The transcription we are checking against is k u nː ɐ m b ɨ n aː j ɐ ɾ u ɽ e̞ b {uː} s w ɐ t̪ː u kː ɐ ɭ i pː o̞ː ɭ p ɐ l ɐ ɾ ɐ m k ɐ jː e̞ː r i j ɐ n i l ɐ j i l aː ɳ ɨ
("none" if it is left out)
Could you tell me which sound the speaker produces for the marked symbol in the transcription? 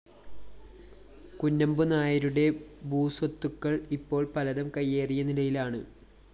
uː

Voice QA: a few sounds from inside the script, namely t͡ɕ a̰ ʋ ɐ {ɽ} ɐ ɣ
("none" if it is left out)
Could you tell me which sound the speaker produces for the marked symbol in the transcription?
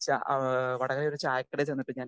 ɽ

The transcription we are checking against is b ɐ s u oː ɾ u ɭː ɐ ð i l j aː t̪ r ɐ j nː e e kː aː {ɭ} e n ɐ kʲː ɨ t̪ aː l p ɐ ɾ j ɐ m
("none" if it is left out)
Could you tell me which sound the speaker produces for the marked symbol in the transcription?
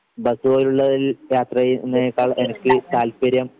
ɭ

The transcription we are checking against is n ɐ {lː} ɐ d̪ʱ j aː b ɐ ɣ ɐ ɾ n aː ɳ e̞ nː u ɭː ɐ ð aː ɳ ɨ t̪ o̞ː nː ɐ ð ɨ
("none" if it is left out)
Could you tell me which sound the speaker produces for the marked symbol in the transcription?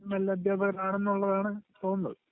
lː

